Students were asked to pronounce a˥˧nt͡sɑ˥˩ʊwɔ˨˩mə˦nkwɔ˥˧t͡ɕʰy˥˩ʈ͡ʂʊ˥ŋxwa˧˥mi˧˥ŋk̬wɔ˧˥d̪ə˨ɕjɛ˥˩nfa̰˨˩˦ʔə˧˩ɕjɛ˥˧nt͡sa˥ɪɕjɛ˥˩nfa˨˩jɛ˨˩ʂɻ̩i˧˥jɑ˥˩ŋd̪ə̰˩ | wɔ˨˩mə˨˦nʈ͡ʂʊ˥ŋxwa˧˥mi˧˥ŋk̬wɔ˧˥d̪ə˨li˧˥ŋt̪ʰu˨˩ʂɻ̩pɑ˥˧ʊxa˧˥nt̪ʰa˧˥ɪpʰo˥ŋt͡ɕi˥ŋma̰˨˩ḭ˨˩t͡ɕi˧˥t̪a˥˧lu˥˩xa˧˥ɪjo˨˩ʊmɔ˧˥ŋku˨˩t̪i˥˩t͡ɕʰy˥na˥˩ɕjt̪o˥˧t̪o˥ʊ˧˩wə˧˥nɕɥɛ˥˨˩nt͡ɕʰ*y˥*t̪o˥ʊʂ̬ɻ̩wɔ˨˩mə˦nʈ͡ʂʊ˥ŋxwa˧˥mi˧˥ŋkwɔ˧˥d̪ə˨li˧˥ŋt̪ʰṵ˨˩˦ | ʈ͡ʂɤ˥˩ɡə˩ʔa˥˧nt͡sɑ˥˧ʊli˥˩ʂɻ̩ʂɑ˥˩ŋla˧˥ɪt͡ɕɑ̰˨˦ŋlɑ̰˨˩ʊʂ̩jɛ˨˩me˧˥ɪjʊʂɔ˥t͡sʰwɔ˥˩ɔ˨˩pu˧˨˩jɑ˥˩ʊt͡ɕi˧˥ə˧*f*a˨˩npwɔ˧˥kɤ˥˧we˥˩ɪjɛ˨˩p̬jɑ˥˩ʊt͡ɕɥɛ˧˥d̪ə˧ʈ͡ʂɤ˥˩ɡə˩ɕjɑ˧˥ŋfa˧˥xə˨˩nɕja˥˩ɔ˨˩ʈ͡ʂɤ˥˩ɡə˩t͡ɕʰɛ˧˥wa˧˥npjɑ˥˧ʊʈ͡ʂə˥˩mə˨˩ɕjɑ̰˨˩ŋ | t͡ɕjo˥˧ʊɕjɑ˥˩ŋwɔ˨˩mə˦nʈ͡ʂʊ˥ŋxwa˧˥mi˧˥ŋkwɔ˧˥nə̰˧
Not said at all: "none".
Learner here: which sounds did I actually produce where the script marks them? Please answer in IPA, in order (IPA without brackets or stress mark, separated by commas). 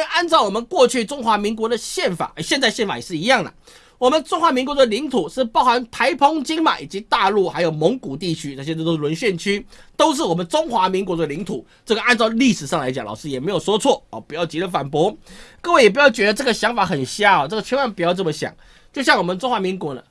y˥, f